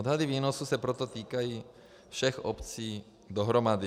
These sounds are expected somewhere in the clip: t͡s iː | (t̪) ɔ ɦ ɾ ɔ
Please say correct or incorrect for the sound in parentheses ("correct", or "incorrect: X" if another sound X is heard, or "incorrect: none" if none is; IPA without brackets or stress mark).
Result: incorrect: d̪